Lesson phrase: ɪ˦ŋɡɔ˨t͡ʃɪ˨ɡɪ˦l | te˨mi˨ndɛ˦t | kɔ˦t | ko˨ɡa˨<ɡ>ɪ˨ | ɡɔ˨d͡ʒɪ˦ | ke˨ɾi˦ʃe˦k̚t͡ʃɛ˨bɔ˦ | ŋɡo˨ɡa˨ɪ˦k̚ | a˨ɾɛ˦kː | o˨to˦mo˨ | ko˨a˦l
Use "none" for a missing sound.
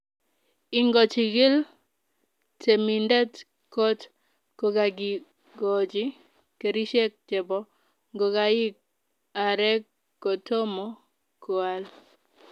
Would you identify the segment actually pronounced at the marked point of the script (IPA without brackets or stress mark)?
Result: ɡ